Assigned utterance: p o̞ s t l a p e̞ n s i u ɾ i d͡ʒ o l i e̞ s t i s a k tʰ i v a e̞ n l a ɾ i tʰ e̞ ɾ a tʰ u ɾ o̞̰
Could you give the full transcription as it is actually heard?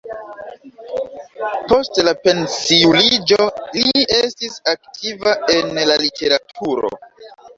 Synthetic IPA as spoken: p o̞ s t l a p e̞ n s i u l i d͡ʒ o l i e̞ s t i s a k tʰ i v a e̞ n l a l i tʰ e̞ ɾ a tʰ u ɾ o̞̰